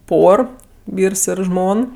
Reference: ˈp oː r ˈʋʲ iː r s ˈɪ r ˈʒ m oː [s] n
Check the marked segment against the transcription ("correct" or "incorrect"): incorrect